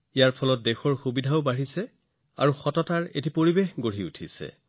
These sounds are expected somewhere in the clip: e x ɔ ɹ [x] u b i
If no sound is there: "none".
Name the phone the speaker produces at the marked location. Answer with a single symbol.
x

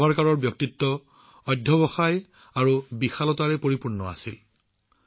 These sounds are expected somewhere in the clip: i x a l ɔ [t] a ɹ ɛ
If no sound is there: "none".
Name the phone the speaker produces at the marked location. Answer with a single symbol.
t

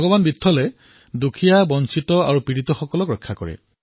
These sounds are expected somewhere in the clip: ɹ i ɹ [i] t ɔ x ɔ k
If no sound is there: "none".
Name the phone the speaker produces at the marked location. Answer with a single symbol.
i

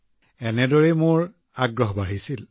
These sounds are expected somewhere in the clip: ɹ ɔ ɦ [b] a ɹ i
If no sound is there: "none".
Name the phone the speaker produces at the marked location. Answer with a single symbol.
b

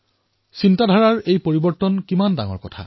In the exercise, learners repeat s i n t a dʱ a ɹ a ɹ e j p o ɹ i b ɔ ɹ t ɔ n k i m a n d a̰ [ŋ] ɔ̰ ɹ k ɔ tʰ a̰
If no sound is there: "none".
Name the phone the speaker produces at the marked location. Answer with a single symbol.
ŋ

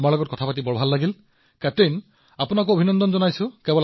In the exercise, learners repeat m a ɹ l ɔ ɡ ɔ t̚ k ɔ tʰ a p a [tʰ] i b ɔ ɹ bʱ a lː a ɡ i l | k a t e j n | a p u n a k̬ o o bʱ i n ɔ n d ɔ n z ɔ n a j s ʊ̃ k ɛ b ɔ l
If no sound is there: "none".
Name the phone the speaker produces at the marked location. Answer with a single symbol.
t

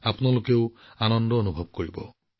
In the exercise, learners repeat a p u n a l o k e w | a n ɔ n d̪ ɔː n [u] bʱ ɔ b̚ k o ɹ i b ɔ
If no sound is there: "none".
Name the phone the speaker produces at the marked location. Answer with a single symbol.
u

